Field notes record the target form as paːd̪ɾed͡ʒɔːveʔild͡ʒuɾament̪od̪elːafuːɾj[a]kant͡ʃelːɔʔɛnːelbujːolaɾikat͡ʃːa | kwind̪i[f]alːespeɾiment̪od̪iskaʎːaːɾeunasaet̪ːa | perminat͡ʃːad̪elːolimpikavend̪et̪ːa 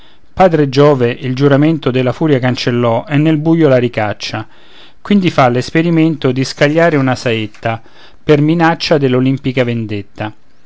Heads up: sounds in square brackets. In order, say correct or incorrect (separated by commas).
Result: correct, correct